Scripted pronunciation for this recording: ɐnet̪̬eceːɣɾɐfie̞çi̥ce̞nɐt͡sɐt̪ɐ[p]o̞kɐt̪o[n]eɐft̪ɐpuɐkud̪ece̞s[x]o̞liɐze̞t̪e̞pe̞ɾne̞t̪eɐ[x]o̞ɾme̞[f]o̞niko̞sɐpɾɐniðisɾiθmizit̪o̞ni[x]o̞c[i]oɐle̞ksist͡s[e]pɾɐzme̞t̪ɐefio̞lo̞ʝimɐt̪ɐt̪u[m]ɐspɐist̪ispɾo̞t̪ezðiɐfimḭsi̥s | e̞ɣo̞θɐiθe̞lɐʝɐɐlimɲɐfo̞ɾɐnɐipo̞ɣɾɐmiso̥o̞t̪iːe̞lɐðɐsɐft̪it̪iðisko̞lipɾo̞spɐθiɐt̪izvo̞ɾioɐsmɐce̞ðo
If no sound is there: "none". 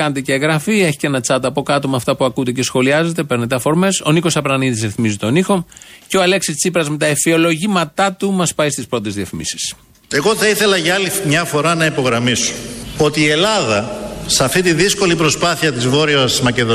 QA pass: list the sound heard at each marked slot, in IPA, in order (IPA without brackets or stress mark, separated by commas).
p, m, x, f, s, x, e, i, m